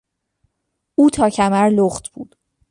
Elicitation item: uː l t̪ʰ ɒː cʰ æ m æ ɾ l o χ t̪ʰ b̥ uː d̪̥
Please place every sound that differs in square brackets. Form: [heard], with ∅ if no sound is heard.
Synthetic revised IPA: uː [∅] t̪ʰ ɒː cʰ æ m æ ɾ l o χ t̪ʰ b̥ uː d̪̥